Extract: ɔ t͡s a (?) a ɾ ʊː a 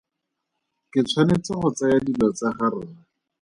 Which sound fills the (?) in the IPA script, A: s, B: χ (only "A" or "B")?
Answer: B